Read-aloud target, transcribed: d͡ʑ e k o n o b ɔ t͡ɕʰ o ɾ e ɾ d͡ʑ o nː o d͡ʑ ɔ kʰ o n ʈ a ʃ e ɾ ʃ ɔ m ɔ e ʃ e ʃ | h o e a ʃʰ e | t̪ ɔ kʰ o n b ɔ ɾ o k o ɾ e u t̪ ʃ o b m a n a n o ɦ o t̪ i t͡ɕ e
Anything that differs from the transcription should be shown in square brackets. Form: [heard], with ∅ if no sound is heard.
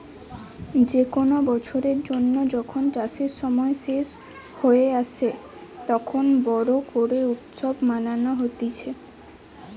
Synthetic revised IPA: d͡ʑ e k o n o b ɔ t͡ɕʰ o ɾ e ɾ d͡ʑ o nː o d͡ʑ ɔ kʰ o n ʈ a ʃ e ɾ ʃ ɔ m ɔ e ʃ e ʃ | h o e a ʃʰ e | t̪ ɔ kʰ o n b ɔ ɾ o k o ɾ e u t̪ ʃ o b m a n a n o ɦ o t̪ i [t͡ɕʰ] e

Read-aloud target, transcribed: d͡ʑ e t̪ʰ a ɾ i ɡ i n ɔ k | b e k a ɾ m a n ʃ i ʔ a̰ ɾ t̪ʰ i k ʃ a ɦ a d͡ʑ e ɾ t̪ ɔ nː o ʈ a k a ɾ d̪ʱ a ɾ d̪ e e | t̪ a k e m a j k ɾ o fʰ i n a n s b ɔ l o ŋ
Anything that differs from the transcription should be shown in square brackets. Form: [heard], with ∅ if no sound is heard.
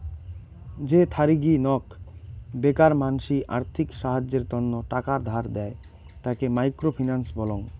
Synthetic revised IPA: d͡ʑ e t̪ʰ a ɾ i ɡ i n ɔ k | b e k a ɾ m a n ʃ i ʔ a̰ ɾ t̪ʰ i k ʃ a ɦ a d͡ʑ e ɾ t̪ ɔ nː o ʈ a k a ɾ d̪ʱ a ɾ d̪ [ɛ] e | t̪ a k e m a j k ɾ o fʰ i n a n s b ɔ l o ŋ

